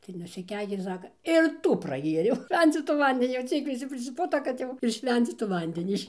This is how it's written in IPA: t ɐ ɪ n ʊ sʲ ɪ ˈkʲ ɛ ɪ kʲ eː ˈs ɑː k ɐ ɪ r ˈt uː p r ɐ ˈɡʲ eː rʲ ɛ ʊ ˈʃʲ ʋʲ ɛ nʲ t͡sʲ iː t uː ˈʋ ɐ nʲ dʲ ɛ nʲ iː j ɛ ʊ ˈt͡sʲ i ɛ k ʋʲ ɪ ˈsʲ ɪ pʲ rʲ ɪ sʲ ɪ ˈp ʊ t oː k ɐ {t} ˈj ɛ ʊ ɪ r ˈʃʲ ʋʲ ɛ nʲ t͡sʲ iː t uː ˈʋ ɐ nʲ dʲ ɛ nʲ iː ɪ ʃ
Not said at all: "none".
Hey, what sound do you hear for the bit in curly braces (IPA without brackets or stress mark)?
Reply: t